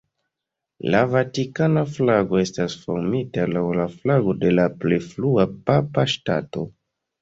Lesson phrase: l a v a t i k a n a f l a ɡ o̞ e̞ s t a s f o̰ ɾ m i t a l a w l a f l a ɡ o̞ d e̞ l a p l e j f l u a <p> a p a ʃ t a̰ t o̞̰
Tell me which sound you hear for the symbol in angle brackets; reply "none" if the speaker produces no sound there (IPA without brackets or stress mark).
p